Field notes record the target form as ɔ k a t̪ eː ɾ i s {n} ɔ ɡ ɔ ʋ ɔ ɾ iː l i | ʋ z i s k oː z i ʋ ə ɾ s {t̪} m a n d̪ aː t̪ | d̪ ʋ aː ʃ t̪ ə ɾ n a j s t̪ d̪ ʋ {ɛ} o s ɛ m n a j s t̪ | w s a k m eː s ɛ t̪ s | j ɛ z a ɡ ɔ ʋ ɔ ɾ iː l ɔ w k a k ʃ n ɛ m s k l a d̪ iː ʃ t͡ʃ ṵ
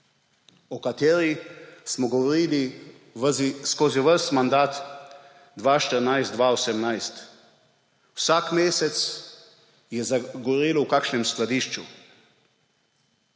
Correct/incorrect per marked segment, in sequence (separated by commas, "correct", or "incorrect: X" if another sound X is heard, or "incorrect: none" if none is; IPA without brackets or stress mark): incorrect: m, correct, incorrect: a